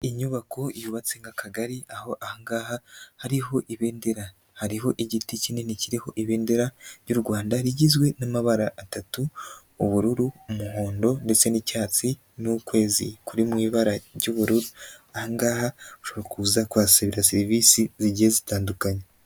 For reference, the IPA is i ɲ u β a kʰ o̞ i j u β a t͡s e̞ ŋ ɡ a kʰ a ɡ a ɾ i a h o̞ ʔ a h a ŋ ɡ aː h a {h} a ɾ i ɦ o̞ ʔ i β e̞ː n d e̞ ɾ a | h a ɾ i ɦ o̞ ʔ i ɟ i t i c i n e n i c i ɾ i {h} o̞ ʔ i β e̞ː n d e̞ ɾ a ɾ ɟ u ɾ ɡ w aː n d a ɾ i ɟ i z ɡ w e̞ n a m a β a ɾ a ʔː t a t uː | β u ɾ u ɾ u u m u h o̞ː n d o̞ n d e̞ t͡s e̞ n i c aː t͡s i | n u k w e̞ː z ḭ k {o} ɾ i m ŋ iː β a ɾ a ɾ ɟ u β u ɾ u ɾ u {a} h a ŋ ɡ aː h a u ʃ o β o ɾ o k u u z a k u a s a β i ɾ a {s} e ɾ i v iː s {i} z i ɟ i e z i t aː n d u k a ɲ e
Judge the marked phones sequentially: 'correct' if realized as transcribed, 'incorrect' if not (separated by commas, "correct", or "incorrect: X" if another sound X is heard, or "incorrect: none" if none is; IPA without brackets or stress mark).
correct, correct, incorrect: u, correct, correct, correct